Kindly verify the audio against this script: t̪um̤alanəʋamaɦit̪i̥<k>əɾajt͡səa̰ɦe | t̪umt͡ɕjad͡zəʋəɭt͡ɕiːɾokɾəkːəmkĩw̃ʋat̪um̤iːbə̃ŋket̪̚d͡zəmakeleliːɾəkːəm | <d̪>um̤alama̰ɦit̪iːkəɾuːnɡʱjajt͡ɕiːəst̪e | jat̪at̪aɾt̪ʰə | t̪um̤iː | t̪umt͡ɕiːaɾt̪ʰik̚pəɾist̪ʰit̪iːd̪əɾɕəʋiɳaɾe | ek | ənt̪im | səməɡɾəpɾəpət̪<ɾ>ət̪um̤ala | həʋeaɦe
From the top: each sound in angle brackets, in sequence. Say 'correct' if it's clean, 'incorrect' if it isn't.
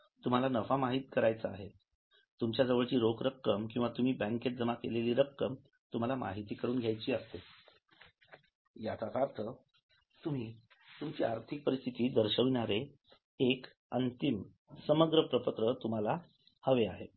correct, incorrect: t̪, correct

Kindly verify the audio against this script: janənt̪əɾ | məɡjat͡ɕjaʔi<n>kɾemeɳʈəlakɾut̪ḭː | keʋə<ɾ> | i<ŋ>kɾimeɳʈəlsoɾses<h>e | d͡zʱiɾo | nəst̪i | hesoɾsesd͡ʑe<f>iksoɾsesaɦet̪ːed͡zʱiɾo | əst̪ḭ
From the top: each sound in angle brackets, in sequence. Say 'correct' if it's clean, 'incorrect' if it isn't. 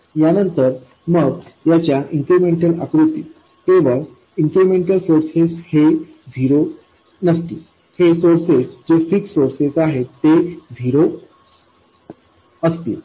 incorrect: ŋ, incorrect: ɭ, correct, correct, correct

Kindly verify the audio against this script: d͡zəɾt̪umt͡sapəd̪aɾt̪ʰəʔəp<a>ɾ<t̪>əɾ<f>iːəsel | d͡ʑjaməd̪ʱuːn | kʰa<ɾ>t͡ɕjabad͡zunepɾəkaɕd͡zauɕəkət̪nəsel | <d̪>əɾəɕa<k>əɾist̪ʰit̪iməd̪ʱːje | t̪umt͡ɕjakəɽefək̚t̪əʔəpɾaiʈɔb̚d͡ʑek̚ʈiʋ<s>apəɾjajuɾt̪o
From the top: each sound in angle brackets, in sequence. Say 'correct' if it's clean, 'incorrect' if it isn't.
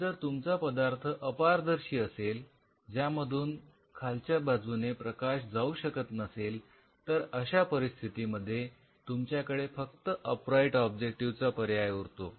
correct, incorrect: d̪, incorrect: ɕ, incorrect: l, incorrect: t̪, incorrect: p, incorrect: t͡s

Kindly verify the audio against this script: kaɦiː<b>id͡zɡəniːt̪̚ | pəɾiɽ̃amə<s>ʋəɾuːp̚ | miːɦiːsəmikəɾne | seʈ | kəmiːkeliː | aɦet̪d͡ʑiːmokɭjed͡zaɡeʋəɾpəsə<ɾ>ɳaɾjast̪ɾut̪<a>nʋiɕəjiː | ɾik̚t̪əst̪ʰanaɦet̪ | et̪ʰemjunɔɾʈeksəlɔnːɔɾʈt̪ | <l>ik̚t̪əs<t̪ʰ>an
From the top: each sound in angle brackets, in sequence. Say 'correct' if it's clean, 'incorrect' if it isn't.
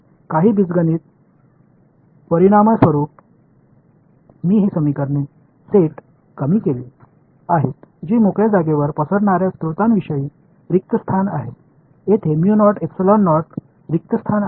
correct, correct, incorrect: ɽ, correct, incorrect: ɾ, correct

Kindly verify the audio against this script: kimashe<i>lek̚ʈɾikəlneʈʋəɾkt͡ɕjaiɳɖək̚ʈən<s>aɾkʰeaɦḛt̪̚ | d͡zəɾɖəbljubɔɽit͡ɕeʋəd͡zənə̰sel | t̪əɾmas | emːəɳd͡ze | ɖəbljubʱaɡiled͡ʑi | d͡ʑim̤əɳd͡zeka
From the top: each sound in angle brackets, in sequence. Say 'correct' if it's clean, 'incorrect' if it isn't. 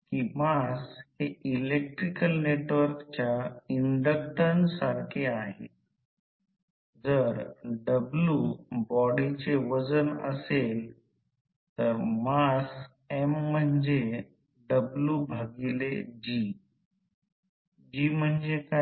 correct, correct

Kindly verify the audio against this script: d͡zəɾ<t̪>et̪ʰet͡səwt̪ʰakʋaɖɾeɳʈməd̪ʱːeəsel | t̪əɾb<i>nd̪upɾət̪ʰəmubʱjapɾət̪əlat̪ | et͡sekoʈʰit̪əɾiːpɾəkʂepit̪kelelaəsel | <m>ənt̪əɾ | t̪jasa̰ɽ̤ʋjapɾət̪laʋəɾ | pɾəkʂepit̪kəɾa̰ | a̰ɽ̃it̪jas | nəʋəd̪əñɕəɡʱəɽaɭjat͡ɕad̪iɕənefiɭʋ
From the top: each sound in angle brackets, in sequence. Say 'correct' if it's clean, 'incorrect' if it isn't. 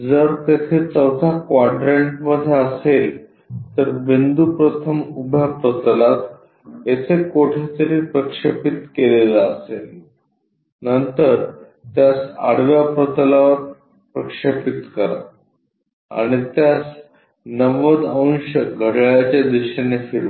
correct, correct, incorrect: n

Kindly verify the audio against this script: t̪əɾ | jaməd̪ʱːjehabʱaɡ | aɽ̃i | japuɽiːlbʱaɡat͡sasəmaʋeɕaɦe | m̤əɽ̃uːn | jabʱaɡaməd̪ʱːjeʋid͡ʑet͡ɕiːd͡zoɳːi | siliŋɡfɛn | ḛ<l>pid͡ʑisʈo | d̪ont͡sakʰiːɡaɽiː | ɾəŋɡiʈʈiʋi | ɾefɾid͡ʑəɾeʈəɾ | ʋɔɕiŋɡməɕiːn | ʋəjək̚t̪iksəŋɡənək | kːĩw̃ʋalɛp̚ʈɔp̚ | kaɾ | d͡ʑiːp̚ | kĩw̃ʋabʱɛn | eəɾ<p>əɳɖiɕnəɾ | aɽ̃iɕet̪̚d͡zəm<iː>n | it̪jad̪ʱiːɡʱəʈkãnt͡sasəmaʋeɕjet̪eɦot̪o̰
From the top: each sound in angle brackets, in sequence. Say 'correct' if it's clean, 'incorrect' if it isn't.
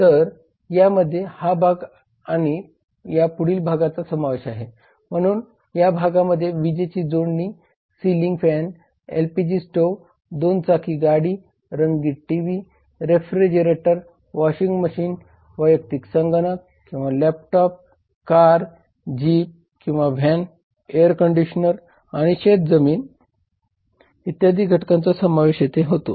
correct, incorrect: k, correct

